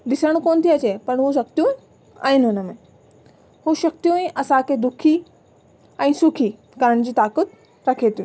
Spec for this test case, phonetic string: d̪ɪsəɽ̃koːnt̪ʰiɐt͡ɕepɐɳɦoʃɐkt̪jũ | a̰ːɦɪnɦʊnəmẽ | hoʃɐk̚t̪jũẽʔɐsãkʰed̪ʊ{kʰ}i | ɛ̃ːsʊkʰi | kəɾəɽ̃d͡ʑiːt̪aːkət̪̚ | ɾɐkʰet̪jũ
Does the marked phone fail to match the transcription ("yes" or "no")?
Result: no